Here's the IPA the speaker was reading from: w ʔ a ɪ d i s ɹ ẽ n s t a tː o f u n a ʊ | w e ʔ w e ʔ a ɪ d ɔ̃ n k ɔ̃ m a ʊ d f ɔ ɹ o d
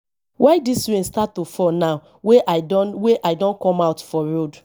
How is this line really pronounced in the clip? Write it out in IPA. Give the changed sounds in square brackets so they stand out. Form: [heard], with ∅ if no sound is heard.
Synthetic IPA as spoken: w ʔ a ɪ d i s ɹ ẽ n s t a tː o f [ɔ] n a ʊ | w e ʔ w e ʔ a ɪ d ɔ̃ n k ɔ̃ m a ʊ [t] f ɔ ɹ o d